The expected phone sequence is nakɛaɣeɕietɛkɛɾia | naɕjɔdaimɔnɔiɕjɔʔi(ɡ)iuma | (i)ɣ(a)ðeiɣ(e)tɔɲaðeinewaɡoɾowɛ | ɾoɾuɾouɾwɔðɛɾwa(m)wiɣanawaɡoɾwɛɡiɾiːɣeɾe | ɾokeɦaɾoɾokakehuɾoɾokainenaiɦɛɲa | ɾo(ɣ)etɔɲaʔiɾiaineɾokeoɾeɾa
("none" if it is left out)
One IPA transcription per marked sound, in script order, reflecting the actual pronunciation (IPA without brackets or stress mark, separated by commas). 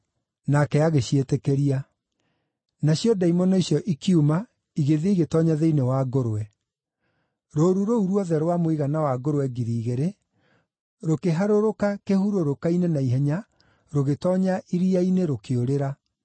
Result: k, i, e, e, m, ɣ